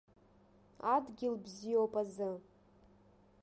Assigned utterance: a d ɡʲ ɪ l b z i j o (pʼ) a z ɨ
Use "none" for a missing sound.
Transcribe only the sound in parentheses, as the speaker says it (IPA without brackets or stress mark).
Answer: pʼ